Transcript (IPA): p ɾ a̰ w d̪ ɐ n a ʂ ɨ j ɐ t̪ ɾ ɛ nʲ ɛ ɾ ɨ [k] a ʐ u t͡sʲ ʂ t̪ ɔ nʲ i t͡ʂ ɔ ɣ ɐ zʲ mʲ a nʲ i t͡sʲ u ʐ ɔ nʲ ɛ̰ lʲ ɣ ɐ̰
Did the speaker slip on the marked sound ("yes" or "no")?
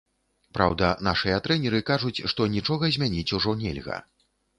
no